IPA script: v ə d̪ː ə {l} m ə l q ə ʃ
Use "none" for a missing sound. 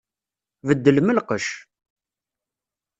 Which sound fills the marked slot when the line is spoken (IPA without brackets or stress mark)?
l